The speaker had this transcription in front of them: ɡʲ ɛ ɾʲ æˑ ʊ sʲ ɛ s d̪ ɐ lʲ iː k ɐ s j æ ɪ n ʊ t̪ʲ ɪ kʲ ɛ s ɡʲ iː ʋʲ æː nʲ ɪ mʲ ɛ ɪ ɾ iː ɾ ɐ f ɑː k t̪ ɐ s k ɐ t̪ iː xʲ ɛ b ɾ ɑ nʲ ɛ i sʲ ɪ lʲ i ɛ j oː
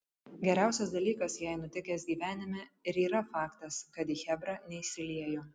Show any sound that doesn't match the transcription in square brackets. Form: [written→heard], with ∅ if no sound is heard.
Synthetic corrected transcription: ɡʲ ɛ ɾʲ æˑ ʊ sʲ ɛ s d̪ ɐ lʲ iː k ɐ s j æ ɪ n ʊ t̪ʲ ɪ kʲ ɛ s ɡʲ iː ʋʲ æː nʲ ɪ mʲ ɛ ɪ ɾ iː ɾ ɐ f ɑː k t̪ ɐ s k ɐ t̪ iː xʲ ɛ b ɾ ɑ nʲ ɛ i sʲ ɪ lʲ i ɛ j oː